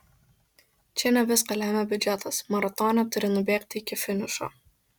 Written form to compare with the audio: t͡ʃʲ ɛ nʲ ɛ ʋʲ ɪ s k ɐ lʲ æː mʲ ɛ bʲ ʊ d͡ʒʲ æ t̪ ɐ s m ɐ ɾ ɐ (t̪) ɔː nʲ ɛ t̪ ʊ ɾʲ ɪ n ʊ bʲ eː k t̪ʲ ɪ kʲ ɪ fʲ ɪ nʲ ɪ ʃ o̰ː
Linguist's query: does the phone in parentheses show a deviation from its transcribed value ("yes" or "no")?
no